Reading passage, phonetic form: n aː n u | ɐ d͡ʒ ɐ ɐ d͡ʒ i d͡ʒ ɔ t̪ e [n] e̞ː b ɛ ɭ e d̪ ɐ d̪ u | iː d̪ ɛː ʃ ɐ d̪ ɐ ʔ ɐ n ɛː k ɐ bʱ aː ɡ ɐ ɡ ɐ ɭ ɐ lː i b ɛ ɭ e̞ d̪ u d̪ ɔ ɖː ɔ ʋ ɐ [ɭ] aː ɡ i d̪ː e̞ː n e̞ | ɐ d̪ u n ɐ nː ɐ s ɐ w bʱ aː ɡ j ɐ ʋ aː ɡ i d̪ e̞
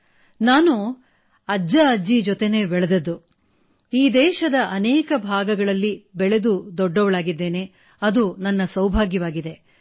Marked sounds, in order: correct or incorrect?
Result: correct, correct

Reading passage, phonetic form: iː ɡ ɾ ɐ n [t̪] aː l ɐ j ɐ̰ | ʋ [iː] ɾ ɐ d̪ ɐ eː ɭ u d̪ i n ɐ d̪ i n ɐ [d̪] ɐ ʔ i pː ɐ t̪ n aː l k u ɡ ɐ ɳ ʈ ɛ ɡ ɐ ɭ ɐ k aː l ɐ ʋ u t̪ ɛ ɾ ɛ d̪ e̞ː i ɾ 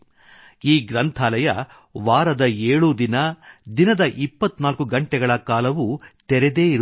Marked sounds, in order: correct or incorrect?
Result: incorrect, incorrect, correct

